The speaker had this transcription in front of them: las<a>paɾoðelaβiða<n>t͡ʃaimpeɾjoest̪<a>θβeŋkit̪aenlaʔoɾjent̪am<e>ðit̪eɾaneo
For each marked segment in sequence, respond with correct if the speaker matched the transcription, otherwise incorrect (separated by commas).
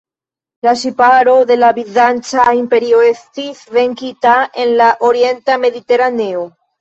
incorrect, correct, incorrect, correct